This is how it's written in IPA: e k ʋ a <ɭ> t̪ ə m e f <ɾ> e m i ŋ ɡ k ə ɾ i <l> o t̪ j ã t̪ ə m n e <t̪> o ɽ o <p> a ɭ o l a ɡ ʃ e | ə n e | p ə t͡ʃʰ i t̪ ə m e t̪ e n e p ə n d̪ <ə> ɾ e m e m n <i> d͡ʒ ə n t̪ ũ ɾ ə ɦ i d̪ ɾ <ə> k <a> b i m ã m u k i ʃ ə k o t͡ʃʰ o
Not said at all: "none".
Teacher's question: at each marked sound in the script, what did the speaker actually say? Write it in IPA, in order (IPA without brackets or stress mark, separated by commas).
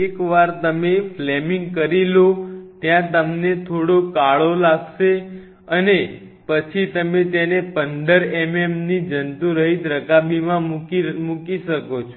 ɾ, l, l, t̪ʰ, k, ə, i, ə, a